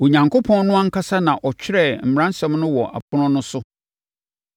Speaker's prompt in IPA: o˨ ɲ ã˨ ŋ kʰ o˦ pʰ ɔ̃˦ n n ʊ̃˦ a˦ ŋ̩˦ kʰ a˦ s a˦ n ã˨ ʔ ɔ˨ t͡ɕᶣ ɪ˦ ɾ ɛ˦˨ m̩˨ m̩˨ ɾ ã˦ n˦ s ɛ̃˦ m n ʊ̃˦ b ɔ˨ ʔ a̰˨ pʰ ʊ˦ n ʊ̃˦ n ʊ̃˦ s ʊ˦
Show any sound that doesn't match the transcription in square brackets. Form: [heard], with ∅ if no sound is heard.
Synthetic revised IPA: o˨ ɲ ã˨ ŋ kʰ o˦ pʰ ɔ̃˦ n n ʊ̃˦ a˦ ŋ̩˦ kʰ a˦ s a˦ n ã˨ ʔ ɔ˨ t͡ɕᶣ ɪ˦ ɾ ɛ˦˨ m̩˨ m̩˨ ɾ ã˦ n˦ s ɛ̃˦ m n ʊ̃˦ [w] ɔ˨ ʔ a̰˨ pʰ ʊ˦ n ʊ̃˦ n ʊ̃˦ s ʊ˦